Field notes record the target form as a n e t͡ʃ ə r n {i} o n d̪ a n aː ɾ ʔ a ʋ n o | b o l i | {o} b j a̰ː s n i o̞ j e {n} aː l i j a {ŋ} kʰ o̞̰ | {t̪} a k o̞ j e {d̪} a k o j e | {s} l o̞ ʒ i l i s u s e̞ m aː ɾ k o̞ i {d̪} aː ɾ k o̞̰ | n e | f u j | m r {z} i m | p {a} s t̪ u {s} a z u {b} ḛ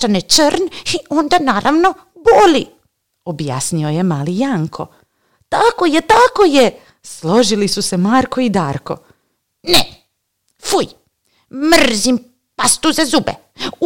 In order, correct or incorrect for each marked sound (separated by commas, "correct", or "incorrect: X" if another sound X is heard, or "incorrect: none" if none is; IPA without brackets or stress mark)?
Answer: correct, correct, incorrect: m, correct, correct, incorrect: t̪, correct, correct, correct, correct, incorrect: z, correct